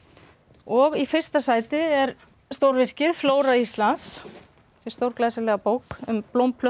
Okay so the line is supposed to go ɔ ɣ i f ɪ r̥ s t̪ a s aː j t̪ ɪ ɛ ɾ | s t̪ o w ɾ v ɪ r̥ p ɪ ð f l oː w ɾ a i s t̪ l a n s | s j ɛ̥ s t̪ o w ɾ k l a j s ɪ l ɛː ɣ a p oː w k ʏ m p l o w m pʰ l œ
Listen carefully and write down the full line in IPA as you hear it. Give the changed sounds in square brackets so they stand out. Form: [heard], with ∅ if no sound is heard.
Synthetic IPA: ɔ ɣ i f ɪ r̥ s t̪ a s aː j t̪ ɪ ɛ ɾ | s t̪ o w ɾ v ɪ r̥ [c] ɪ ð f l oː w ɾ a i s t̪ l a n s | s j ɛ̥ s t̪ o w ɾ k l a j s ɪ l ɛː ɣ a p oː w k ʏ m p l o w m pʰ l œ